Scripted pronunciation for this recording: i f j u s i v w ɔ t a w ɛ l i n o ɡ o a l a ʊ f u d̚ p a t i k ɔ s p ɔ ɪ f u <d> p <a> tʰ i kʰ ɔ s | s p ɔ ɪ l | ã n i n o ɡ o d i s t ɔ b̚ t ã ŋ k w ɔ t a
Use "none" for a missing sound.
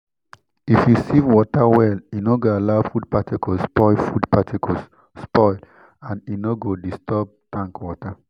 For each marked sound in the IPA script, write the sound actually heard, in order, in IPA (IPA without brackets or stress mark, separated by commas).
d, a